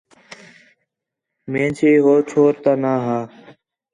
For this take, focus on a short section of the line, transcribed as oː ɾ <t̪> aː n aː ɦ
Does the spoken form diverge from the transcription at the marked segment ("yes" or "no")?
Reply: no